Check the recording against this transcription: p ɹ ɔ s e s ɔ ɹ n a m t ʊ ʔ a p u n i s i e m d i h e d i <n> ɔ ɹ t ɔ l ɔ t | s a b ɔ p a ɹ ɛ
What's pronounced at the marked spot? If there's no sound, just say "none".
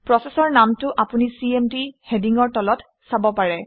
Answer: ŋ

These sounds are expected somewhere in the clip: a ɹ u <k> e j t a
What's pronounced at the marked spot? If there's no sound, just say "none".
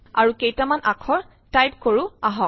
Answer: k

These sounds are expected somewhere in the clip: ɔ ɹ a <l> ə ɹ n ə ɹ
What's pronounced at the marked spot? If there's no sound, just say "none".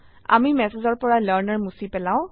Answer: l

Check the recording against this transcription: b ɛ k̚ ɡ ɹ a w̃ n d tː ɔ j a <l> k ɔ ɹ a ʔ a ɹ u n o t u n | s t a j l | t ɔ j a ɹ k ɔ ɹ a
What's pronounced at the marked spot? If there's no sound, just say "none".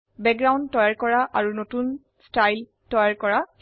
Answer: ɹ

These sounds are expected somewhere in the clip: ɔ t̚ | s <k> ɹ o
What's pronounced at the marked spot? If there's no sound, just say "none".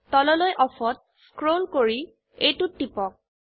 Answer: k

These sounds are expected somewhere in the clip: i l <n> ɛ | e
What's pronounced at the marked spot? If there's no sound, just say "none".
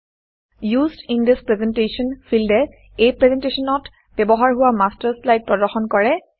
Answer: d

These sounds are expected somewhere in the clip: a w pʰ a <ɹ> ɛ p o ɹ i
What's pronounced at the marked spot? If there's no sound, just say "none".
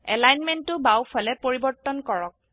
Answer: l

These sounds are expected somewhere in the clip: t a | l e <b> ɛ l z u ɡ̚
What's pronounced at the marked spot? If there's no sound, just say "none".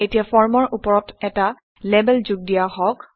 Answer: b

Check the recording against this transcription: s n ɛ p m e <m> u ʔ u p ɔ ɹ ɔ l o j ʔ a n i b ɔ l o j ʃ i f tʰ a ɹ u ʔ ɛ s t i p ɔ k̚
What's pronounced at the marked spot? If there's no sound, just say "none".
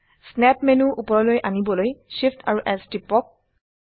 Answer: n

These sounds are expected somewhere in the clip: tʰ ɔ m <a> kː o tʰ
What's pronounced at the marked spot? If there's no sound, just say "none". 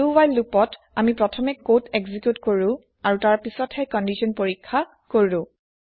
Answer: ɛ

